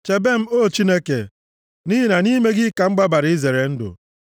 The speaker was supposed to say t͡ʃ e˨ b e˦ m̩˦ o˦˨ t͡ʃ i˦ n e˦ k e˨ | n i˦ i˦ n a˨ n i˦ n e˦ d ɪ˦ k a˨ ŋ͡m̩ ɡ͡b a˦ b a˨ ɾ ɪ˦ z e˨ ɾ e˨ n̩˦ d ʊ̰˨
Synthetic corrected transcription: t͡ʃ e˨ b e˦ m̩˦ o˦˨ t͡ʃ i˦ n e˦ k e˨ | n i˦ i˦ n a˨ n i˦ m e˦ ɡ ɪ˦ k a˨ ŋ͡m̩ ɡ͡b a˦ b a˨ ɾ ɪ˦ z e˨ ɾ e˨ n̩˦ d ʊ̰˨